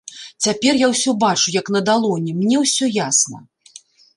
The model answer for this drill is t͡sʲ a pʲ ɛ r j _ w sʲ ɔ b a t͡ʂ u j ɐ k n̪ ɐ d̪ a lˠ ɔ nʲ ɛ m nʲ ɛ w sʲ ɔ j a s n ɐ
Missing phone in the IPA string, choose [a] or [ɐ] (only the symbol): a